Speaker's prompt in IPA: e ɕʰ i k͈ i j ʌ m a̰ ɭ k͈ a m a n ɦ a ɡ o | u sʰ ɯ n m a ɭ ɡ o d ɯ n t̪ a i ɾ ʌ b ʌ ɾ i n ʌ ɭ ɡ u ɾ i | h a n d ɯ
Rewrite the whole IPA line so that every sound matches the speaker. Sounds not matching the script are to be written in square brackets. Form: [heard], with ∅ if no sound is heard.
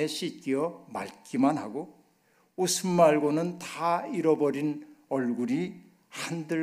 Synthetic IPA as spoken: e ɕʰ i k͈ i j ʌ m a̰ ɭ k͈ [i] m a n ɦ a ɡ o | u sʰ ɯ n m a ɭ ɡ o [n] ɯ n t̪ a i ɾ ʌ b ʌ ɾ i n ʌ ɭ ɡ u ɾ i | h a n d ɯ